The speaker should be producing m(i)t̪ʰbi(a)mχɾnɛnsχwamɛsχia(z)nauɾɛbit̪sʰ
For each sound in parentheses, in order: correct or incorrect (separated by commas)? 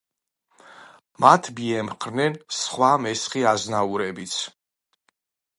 incorrect, incorrect, correct